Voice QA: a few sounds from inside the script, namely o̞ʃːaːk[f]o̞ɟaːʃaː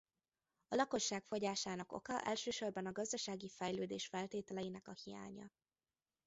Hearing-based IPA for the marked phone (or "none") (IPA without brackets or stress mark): f